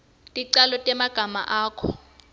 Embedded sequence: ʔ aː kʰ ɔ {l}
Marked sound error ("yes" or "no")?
yes